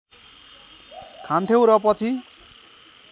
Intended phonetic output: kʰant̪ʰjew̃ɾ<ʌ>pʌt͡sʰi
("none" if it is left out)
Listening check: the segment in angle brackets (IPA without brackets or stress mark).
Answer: ʌ